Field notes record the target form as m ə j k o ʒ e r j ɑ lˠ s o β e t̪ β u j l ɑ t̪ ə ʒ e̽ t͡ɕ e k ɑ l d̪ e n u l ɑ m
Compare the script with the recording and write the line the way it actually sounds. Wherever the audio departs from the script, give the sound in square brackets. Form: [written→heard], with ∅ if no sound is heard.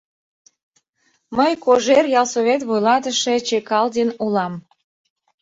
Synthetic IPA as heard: m ə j k o ʒ e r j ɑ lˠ s o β e t̪ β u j l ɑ t̪ ə [ʒ→ʃ] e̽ t͡ɕ e k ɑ l d̪ e n u l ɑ m